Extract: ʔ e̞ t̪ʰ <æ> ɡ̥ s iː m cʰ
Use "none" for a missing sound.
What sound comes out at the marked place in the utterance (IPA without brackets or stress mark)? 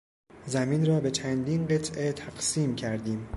æ